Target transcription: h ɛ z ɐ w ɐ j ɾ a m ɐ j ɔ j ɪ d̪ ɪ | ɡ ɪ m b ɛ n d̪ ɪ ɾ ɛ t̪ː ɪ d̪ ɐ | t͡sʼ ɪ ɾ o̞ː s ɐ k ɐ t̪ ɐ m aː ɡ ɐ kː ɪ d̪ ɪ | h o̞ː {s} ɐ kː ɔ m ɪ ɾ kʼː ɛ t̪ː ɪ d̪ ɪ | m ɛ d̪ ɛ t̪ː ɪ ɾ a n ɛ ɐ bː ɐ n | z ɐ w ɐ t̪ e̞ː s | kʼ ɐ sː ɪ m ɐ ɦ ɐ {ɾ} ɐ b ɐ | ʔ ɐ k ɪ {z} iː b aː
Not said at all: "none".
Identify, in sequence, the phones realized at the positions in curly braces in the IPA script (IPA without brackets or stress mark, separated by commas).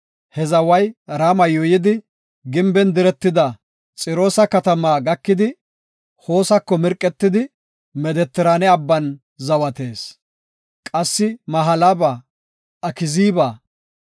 s, l, z